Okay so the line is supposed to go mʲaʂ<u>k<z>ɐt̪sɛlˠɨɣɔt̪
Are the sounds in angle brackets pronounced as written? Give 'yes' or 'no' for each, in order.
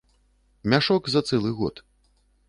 no, yes

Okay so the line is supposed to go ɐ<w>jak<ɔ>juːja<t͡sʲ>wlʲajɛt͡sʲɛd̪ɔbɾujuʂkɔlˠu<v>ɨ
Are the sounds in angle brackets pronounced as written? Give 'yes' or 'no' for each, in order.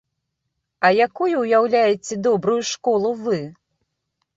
no, no, no, yes

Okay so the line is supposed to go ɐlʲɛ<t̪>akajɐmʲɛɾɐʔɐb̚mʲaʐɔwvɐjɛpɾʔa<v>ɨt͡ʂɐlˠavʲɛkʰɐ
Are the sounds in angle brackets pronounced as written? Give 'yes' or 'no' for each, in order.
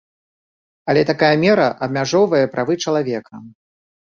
yes, yes

